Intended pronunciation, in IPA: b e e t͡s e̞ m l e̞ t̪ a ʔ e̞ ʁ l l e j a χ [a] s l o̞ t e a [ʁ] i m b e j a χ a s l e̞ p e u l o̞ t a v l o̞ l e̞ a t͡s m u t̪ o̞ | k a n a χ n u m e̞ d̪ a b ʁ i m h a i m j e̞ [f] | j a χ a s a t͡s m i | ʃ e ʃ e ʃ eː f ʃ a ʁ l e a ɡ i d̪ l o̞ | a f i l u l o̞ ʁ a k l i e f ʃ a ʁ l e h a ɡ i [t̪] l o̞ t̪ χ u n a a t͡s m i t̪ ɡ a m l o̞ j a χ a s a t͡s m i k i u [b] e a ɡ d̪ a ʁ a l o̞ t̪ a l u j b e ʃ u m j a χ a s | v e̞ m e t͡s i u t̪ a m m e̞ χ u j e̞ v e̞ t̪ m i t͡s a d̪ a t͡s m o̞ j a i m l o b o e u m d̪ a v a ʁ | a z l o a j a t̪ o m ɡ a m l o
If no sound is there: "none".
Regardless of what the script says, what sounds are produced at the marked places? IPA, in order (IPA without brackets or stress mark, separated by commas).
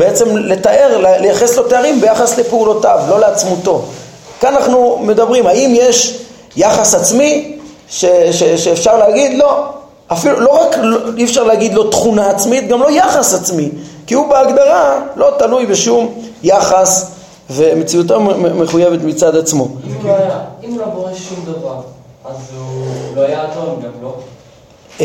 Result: e, ʁ, ʃ, d̪, b